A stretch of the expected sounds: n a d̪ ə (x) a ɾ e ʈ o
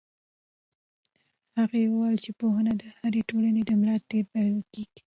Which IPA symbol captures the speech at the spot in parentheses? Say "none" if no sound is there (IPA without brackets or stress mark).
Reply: h